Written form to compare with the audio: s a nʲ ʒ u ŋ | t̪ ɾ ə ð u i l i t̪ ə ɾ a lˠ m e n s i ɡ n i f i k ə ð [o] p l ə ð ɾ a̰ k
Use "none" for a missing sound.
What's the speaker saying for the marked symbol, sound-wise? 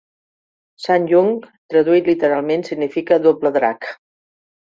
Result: o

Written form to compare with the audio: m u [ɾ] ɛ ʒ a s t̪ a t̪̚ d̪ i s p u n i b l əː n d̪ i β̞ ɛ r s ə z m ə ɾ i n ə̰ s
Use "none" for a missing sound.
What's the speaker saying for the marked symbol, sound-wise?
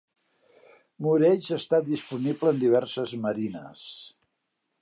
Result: ɾ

